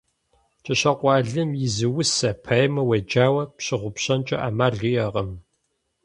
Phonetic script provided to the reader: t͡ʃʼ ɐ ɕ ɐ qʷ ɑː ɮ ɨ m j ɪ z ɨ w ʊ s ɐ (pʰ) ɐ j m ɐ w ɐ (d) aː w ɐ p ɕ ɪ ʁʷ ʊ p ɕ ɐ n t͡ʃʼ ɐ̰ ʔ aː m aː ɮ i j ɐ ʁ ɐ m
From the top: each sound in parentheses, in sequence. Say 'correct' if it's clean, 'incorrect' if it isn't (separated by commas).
correct, incorrect